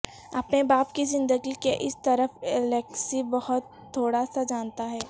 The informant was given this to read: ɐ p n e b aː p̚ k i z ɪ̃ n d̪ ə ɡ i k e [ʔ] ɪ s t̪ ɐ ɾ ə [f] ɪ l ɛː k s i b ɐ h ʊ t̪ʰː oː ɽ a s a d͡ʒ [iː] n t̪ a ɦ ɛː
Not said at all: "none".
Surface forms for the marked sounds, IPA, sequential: ʔ, f, aː

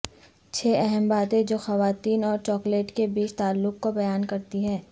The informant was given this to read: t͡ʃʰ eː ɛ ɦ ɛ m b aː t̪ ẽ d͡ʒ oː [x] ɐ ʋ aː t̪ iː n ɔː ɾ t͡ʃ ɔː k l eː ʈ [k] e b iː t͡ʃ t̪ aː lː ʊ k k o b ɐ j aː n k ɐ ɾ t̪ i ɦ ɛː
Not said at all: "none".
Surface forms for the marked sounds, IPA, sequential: x, k

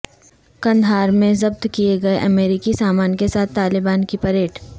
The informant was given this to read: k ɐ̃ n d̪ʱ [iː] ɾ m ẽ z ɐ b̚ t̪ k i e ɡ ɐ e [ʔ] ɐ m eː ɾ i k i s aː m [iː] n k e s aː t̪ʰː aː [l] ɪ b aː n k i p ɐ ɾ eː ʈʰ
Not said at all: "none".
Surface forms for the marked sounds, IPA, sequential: aː, ʔ, aː, l

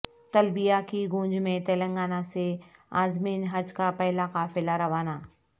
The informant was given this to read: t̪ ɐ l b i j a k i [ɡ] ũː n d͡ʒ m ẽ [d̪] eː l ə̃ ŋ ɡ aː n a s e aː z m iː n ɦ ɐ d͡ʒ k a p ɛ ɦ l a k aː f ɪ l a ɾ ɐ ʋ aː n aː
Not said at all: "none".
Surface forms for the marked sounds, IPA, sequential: ɡ, t̪

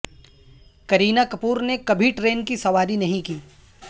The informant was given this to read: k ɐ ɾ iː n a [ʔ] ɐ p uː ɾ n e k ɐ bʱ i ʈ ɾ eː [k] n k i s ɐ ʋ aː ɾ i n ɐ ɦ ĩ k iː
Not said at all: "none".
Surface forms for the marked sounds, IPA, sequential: k, none

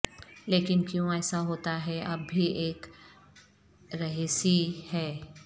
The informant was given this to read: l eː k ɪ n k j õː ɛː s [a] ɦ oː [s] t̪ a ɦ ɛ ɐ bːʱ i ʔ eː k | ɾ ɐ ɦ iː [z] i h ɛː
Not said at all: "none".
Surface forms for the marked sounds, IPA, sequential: a, none, s

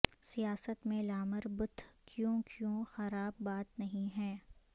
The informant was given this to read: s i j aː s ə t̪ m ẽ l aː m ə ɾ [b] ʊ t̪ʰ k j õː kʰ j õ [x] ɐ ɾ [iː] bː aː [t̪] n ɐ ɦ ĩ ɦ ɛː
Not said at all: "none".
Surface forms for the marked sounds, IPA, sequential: b, x, aː, t̪

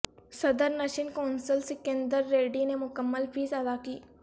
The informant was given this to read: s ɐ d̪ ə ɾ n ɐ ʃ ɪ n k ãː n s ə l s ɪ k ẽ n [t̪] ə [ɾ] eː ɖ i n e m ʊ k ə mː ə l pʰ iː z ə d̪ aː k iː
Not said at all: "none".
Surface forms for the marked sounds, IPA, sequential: d̪, ɾː

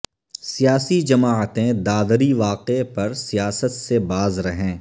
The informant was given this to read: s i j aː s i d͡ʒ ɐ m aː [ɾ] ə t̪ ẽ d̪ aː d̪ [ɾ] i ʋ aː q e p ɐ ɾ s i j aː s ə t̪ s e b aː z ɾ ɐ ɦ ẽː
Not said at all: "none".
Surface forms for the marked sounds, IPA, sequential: none, ɾ

